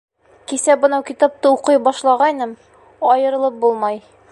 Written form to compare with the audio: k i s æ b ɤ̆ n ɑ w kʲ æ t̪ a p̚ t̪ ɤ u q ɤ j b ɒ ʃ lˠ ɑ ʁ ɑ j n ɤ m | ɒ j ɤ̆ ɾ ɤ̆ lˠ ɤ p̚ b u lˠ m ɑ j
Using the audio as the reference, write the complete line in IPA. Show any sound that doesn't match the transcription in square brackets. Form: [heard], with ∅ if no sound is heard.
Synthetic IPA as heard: k i s æ b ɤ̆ n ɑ w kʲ [i] t̪ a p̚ t̪ ɤ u q ɤ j b ɒ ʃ lˠ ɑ ʁ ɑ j n ɤ m | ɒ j ɤ̆ ɾ ɤ̆ lˠ ɤ p̚ b u lˠ m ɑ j